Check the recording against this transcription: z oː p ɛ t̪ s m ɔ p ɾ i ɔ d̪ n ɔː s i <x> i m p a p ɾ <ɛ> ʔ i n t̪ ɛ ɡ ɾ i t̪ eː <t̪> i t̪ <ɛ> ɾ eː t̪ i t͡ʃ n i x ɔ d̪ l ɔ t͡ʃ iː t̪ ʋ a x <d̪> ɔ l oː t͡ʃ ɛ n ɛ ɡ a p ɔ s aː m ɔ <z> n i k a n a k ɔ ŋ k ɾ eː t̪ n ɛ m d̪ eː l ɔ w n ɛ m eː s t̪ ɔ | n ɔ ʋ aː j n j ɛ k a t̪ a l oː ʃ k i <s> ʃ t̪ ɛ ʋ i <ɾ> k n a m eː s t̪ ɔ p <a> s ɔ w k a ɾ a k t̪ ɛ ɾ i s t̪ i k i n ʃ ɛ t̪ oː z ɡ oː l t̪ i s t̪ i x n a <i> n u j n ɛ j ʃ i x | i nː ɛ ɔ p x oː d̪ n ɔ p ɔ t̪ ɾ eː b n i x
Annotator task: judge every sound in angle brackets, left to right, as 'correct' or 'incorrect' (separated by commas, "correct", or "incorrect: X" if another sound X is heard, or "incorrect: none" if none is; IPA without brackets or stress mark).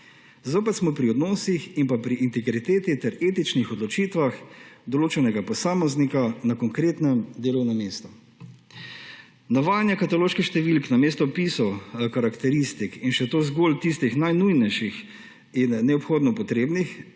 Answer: correct, incorrect: i, correct, correct, correct, correct, incorrect: x, incorrect: l, incorrect: i, incorrect: j